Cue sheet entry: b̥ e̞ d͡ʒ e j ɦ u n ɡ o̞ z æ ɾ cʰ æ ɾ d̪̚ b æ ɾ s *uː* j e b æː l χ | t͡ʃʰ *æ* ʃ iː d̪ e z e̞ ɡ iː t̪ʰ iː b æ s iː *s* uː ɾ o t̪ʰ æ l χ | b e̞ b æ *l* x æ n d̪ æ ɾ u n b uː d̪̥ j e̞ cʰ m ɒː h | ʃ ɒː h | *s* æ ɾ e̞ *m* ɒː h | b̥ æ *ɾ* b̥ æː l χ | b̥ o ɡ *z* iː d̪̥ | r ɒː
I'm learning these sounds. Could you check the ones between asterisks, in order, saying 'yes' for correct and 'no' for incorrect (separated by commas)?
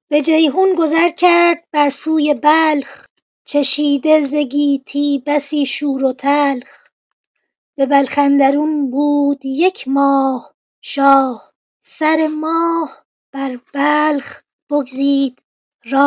yes, no, no, yes, yes, yes, yes, yes